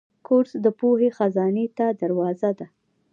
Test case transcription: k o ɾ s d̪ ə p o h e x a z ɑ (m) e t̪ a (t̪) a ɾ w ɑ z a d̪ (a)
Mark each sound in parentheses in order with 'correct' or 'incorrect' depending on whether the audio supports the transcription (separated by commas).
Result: incorrect, incorrect, correct